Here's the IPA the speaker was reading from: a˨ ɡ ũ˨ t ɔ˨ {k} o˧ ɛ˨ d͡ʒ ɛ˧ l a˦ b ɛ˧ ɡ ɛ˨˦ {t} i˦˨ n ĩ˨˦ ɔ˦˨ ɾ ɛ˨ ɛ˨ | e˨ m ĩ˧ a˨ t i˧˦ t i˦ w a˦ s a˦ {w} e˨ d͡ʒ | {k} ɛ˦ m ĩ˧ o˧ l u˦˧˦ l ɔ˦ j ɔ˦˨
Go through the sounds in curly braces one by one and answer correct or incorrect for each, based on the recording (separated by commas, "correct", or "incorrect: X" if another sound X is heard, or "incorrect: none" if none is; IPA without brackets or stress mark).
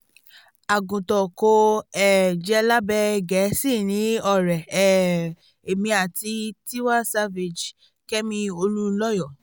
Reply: correct, incorrect: s, incorrect: v, correct